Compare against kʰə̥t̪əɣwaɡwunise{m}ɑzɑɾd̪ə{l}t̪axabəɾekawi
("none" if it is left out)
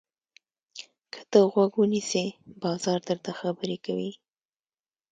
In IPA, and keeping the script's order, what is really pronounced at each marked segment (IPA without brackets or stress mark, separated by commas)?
b, ɾ